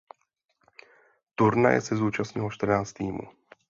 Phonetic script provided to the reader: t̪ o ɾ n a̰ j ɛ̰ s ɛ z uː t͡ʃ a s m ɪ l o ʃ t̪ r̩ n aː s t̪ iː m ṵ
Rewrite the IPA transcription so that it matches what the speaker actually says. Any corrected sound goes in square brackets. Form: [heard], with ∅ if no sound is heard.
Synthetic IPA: t̪ [u] ɾ n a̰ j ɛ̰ s ɛ z uː t͡ʃ a s [ɲ] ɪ l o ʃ t̪ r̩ n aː [t͡s] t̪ iː m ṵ